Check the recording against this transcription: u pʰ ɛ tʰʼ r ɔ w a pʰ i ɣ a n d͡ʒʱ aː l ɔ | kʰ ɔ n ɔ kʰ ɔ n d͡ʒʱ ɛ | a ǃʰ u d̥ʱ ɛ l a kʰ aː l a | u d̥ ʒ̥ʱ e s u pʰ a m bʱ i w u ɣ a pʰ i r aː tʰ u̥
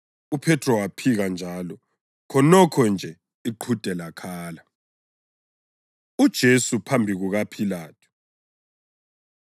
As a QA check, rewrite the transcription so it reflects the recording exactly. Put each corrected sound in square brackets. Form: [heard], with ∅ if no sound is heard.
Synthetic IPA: u pʰ ɛ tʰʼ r ɔ w a pʰ i ɣ a n d͡ʒʱ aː l ɔ | kʰ ɔ n ɔ kʰ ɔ n d͡ʒʱ ɛ | [i] ǃʰ u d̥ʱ ɛ l a kʰ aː l a | u d̥ ʒ̥ʱ e s u pʰ a m bʱ i [ɣ] u ɣ a pʰ i [l] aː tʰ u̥